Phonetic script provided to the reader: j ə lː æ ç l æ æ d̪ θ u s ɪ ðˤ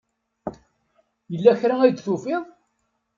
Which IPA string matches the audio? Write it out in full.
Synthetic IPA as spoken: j ə lː æ ç ɾ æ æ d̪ θ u f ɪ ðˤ